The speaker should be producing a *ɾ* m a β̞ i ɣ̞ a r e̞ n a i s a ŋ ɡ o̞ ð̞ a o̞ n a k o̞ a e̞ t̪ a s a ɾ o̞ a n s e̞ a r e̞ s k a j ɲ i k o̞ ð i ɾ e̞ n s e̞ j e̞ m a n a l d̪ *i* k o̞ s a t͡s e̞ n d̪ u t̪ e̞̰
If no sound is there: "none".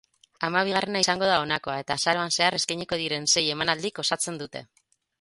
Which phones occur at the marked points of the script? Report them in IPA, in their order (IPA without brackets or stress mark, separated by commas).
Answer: none, i